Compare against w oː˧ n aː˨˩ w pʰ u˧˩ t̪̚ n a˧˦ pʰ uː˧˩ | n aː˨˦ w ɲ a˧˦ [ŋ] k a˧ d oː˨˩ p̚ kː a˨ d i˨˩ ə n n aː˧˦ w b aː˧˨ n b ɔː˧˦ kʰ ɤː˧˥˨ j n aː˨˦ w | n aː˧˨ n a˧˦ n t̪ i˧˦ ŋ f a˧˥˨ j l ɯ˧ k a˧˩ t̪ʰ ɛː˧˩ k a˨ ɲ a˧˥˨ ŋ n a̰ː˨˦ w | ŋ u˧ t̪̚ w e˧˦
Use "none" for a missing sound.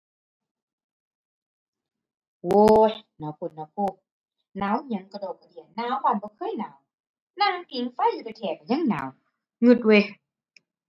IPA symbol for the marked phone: ŋ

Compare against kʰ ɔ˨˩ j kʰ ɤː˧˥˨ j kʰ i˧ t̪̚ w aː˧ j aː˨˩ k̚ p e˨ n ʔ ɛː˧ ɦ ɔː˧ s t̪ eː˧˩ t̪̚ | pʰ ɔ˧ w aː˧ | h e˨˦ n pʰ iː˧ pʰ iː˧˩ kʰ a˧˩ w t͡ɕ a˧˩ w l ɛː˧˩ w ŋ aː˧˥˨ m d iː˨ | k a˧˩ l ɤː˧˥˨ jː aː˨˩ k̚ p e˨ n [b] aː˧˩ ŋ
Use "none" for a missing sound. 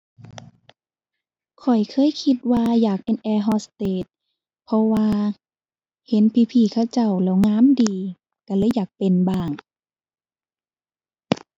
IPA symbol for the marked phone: b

